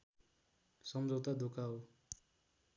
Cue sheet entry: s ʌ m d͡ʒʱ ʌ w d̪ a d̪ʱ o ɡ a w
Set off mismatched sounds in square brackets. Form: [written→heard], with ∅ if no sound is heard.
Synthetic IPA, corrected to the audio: s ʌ m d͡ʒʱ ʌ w [d̪→t̪] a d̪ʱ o [ɡ→k] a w